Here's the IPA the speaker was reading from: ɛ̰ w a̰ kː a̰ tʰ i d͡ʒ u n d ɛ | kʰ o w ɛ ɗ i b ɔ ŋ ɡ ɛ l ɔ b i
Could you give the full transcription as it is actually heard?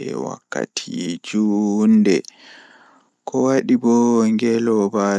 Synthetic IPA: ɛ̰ w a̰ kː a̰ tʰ i d͡ʒ u n d ɛ | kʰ ɔ w a ɗ i b ɔ ŋ ɡ ɛ l ɔ b a